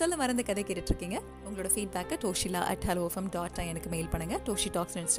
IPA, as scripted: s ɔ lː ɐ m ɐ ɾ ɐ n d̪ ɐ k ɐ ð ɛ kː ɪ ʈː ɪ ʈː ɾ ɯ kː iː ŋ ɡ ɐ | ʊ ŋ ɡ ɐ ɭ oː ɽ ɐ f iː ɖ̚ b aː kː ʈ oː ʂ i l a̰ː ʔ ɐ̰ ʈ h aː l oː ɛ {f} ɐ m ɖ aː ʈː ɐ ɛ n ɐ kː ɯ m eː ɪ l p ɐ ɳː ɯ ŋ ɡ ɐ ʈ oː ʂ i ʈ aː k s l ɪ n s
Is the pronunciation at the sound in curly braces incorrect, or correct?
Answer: correct